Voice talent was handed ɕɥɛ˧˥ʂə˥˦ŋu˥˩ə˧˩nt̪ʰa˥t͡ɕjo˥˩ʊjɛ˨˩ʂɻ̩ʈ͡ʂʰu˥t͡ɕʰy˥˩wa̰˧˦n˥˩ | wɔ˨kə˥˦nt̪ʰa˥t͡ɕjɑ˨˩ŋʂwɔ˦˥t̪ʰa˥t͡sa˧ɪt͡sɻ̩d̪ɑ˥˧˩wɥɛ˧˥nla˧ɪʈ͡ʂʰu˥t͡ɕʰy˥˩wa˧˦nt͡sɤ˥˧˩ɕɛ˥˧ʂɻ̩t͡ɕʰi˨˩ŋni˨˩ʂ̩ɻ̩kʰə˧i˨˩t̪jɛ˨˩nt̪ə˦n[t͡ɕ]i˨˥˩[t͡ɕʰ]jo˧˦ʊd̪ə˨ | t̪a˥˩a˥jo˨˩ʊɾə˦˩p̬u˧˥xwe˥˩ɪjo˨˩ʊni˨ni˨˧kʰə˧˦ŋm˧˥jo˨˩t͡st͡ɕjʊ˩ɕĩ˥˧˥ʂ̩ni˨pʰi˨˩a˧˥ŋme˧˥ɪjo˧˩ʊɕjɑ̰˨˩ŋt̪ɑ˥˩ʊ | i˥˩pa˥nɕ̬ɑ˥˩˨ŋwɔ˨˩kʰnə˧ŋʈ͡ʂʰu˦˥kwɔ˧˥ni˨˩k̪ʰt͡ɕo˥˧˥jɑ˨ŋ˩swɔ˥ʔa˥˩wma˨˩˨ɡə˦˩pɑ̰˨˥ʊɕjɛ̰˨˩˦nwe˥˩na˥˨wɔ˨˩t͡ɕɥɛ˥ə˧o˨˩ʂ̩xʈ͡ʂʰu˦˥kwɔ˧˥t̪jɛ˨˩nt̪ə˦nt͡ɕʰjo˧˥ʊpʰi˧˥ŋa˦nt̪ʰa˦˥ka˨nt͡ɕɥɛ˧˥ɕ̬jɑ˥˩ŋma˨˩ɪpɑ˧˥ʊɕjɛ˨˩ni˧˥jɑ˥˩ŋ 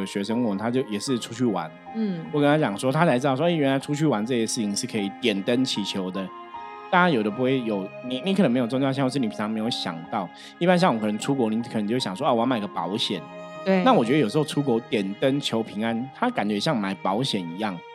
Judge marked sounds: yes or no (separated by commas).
no, yes